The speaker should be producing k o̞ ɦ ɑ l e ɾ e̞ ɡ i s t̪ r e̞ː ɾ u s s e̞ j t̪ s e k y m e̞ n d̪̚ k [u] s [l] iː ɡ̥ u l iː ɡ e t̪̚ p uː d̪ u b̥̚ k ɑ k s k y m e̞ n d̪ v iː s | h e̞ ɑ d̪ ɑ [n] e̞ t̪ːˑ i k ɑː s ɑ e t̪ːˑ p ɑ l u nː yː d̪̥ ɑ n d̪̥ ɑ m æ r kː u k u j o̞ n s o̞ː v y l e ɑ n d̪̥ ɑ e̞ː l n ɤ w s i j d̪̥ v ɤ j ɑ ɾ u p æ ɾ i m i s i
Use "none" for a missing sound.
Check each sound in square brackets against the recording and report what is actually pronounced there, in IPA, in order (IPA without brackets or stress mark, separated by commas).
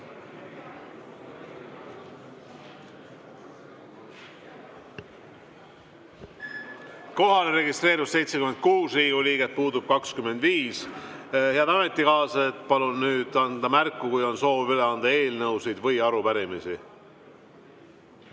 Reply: uː, r, m